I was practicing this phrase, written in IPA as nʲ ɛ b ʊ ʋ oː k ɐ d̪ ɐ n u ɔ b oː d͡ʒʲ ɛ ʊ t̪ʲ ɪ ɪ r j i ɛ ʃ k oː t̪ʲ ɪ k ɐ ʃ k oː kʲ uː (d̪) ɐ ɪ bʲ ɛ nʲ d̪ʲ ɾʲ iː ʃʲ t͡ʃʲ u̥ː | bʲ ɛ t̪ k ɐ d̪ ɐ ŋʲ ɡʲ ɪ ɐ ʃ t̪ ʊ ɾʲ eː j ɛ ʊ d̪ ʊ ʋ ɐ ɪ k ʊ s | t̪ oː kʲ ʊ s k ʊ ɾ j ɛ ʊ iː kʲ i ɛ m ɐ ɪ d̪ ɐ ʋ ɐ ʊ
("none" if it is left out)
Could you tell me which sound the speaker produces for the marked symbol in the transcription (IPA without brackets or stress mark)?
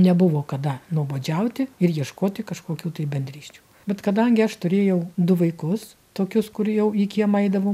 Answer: t̪